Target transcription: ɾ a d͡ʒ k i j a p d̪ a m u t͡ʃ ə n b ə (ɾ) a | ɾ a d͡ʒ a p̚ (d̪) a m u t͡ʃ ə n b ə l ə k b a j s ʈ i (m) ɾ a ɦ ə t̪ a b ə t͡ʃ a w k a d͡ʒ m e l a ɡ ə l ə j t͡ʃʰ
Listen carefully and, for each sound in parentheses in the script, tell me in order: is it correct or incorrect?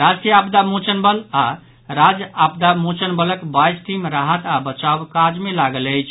incorrect: l, correct, correct

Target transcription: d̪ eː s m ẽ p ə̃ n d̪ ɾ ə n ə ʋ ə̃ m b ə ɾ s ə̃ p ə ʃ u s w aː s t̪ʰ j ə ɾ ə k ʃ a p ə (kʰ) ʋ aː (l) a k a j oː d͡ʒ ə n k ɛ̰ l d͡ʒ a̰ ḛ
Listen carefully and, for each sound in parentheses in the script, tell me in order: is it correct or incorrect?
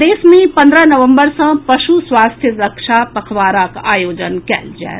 correct, incorrect: ɾ

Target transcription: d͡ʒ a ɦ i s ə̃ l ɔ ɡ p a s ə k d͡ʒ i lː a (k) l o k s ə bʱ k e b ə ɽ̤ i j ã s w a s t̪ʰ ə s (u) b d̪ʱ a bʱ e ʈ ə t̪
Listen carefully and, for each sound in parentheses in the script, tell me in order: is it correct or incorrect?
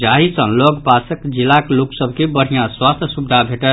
correct, correct

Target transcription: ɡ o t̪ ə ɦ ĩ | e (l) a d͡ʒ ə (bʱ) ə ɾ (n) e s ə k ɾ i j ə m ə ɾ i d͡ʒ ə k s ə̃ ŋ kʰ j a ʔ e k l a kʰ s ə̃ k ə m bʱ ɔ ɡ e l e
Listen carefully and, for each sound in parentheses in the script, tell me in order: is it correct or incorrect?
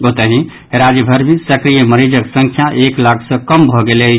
incorrect: ɾ, correct, incorrect: m

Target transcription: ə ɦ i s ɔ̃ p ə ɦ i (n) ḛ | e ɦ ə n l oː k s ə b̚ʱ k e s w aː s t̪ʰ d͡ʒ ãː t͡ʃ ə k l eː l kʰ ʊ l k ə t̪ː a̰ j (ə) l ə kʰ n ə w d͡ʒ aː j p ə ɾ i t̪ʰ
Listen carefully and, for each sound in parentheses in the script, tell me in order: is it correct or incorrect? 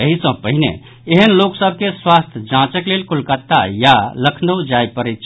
correct, incorrect: a

